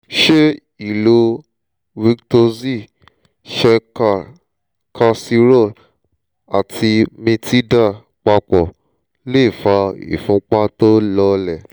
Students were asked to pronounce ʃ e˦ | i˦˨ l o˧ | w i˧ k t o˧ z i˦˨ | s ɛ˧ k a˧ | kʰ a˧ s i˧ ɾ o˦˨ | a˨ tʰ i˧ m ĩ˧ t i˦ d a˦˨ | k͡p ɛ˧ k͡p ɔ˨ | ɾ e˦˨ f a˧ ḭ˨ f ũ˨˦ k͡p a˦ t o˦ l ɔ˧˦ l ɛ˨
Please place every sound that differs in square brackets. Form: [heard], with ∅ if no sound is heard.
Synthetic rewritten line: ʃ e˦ | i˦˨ l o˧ | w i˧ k t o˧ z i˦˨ | [ʃ] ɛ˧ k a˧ | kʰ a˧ s i˧ ɾ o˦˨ | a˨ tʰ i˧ m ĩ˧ t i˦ d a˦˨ | k͡p [a˧] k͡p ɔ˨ | [l] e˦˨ f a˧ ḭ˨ f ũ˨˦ k͡p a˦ t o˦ l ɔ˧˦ l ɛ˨